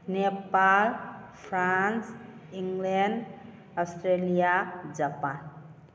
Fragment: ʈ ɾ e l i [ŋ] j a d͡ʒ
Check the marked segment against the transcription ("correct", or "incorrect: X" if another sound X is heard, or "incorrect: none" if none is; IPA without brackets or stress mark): incorrect: none